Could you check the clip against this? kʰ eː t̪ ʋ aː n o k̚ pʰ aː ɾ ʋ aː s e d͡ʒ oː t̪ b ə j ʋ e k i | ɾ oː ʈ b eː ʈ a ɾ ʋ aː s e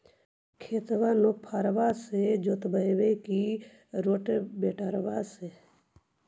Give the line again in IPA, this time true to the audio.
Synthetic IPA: kʰ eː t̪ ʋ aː n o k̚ pʰ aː ɾ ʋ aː s e d͡ʒ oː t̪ b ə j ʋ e k i | ɾ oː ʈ b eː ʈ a ɾ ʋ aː s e